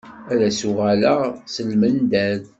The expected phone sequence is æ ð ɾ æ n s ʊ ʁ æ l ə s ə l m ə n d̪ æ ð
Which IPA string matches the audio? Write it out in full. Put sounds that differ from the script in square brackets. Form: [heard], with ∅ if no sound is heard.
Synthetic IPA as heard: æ [∅] ɾ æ [∅] s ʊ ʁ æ l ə s ə l m ə n d̪ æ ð